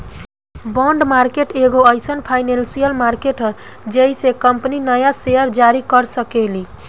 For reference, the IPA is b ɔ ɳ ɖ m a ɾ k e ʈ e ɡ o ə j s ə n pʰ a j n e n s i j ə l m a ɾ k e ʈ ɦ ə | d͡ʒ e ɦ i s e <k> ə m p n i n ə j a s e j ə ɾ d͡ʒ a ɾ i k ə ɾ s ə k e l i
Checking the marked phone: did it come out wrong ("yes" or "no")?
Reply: no